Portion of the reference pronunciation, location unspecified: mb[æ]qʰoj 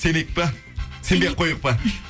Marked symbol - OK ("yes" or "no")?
no